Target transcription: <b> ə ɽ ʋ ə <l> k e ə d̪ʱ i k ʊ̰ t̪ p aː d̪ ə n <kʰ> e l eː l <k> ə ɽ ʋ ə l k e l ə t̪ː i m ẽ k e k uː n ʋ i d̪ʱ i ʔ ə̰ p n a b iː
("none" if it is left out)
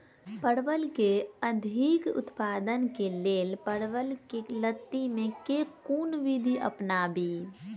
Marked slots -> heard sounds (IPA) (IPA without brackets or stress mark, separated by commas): p, l, k, p